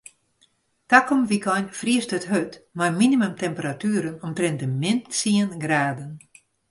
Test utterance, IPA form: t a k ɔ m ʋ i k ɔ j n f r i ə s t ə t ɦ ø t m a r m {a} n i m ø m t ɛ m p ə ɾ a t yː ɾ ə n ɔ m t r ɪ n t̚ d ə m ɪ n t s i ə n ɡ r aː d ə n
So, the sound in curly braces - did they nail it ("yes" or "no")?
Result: no